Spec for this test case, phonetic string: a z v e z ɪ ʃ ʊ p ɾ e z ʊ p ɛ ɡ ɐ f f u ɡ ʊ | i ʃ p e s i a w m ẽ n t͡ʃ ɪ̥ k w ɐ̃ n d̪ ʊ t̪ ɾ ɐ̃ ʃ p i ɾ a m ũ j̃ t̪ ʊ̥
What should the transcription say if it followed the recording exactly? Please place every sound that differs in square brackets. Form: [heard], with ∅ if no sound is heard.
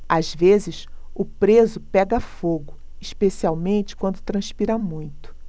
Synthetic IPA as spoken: a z v e z ɪ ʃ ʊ p ɾ e z ʊ p ɛ ɡ ɐ f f [o] ɡ ʊ | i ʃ p e s i a w m ẽ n t͡ʃ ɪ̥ k w ɐ̃ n d̪ ʊ t̪ ɾ ɐ̃ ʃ p i ɾ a m ũ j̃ t̪ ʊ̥